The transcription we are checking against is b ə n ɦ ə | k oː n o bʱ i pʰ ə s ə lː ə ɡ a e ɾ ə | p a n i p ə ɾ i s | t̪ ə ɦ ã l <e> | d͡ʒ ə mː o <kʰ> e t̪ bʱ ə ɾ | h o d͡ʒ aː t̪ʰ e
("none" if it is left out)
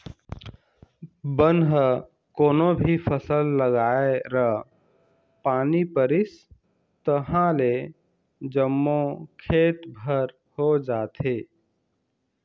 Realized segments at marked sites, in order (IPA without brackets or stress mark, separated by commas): e, kʰ